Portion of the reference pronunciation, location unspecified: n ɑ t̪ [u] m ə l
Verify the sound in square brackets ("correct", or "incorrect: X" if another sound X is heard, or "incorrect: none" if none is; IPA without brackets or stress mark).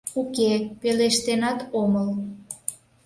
incorrect: o